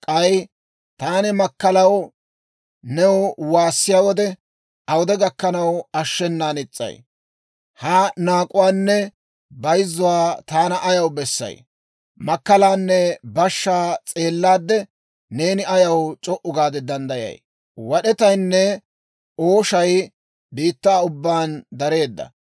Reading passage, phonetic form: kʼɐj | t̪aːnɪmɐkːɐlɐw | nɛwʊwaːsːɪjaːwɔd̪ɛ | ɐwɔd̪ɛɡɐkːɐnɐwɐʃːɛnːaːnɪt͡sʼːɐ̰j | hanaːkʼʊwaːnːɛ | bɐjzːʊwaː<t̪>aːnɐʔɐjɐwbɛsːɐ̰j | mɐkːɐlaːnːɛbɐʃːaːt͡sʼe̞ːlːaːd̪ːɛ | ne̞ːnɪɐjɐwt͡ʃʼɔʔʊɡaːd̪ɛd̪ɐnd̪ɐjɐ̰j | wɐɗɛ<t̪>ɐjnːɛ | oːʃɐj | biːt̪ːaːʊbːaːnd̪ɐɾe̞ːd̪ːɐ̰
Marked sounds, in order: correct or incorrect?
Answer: correct, correct

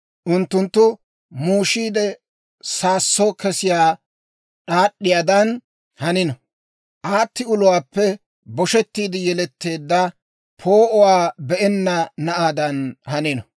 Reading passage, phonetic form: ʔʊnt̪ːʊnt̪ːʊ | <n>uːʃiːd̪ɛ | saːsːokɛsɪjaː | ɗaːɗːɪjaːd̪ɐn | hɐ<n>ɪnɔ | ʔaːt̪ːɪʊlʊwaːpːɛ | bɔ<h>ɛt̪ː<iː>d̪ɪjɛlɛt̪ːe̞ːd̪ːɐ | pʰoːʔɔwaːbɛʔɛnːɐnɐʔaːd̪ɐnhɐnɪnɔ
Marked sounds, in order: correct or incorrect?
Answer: incorrect: m, correct, incorrect: ʃ, correct

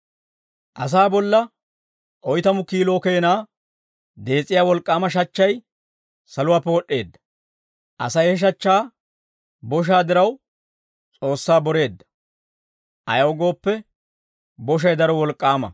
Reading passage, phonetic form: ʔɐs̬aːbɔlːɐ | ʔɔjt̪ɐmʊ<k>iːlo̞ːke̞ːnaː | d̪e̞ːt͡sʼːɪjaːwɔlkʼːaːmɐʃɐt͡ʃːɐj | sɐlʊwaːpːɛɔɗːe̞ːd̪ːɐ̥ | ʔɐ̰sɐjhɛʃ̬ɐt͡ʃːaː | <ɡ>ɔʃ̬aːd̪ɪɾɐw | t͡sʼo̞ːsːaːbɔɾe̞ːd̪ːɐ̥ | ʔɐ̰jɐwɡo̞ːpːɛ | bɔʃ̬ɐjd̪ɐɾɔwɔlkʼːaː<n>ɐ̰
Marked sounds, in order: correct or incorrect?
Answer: correct, incorrect: b, incorrect: m

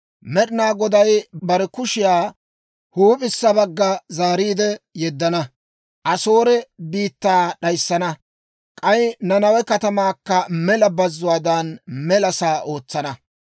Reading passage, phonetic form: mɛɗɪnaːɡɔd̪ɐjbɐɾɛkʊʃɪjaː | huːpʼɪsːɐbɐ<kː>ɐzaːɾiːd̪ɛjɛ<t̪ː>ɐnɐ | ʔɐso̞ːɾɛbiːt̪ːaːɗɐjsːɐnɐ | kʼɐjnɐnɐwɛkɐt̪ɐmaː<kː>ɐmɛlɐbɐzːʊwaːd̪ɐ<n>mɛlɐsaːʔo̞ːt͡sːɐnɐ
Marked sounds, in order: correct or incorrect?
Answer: incorrect: ɡː, incorrect: d̪ː, correct, correct

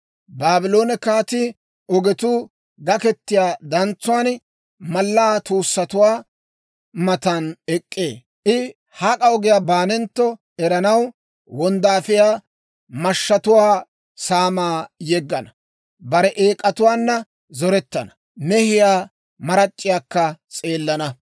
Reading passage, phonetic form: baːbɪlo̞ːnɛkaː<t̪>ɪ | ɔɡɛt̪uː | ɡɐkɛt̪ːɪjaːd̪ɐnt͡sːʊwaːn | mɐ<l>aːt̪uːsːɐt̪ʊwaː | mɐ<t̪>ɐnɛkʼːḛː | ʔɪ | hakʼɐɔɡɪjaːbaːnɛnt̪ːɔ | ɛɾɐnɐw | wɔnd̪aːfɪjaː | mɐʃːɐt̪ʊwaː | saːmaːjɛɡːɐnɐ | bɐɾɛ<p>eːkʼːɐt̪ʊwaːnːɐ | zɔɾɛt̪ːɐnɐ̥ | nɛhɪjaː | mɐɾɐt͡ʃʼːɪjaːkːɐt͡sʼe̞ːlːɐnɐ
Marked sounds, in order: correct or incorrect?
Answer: correct, incorrect: lː, correct, incorrect: ʔ

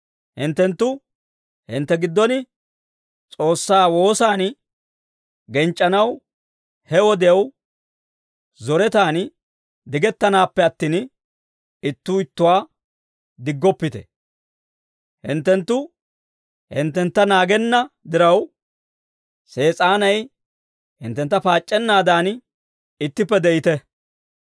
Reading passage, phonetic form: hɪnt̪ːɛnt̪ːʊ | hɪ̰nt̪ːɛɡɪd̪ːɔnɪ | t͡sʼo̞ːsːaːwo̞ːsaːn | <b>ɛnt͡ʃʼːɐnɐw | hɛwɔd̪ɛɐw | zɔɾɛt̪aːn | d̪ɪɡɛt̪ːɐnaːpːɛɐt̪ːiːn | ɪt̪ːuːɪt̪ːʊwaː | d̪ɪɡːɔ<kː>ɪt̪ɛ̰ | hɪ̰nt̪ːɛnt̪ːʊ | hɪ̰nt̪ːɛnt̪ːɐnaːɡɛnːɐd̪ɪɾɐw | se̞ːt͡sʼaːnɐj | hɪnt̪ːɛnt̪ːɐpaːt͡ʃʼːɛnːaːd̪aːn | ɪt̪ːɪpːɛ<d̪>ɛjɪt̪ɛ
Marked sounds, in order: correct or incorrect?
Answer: incorrect: ɡ, incorrect: pː, correct

